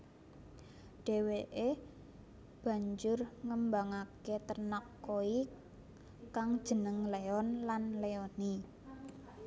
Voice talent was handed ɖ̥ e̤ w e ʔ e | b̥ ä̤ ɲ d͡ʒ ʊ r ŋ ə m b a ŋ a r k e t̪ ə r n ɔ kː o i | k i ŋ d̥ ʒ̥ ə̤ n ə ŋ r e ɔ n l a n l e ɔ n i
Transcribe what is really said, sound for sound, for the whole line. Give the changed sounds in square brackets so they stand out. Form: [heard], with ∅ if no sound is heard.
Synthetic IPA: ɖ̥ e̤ w e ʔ e | b̥ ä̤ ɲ d͡ʒ ʊ r ŋ ə m b a ŋ a [∅] k e t̪ ə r n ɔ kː o i | k [a] ŋ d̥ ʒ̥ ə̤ n ə ŋ [l] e ɔ n l a n l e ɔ n i